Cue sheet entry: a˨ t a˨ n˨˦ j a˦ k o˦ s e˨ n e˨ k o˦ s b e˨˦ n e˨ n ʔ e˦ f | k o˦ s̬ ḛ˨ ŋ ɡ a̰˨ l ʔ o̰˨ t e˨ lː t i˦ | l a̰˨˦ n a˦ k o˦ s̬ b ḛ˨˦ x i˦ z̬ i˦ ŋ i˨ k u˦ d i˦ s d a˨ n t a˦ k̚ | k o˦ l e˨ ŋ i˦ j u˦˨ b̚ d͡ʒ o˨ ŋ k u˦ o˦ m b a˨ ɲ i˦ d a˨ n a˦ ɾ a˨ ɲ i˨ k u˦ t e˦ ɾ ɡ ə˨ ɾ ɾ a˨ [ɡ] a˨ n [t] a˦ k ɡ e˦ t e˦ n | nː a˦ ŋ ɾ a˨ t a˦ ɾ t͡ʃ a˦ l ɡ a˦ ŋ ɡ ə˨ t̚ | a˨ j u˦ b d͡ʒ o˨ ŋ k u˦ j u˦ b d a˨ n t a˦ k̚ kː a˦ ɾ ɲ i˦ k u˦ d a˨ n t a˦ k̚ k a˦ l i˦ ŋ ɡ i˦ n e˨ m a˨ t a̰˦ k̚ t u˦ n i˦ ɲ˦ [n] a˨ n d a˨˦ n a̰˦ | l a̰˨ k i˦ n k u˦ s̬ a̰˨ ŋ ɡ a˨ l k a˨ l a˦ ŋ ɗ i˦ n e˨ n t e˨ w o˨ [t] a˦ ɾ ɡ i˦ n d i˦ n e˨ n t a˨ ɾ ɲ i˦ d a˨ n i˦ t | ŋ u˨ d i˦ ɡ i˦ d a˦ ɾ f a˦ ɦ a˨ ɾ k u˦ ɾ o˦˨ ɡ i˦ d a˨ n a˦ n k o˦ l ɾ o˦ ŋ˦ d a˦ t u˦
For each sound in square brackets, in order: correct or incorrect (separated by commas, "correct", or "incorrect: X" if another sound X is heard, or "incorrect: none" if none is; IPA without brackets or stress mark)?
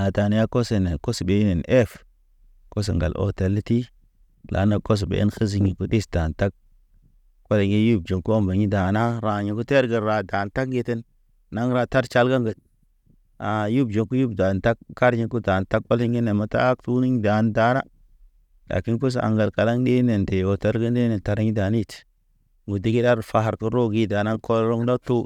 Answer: incorrect: d, correct, incorrect: d, correct